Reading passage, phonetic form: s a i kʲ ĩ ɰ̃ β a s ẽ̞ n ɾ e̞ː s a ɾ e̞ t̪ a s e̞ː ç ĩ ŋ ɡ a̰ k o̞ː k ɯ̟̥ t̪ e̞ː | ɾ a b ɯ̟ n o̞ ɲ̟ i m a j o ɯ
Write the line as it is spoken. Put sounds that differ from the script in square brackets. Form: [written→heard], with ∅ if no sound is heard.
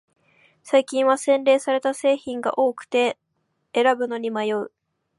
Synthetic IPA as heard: s a i kʲ ĩ ɰ̃ β a s ẽ̞ n ɾ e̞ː s a ɾ e̞ t̪ a s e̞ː ç ĩ ŋ ɡ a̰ [k→ʔ] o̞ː k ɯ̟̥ t̪ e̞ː | ɾ a b ɯ̟ n o̞ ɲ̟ i m a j o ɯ